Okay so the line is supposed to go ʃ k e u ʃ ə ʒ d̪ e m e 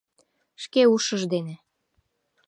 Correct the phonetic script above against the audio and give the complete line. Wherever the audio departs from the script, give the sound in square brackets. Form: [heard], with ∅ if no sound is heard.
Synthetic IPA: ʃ k e u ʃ ə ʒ d̪ e [n] e